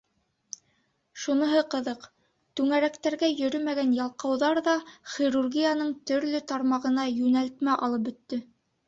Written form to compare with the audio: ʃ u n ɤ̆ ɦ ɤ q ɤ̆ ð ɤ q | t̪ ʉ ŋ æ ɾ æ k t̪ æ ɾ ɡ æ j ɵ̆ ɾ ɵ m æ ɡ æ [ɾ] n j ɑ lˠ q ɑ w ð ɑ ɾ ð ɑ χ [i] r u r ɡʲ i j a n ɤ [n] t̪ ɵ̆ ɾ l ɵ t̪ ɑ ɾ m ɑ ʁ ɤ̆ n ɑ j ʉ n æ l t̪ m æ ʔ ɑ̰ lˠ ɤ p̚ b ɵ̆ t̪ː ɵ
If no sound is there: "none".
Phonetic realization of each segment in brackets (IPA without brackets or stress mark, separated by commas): none, i, ɴ